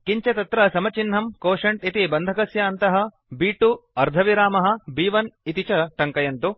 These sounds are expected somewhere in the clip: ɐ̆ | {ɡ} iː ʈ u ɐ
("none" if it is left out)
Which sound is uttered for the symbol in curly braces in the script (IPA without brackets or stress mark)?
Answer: b